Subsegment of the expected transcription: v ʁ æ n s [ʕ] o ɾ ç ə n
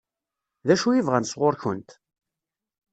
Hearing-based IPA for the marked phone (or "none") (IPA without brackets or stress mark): ʁ